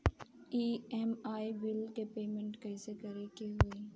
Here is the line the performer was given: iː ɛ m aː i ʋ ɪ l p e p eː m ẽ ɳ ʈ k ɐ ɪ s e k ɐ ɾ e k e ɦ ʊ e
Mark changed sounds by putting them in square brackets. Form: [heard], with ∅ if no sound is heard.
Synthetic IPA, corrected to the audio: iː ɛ m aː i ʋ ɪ l [k] e p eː m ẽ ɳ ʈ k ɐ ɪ s e k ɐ ɾ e k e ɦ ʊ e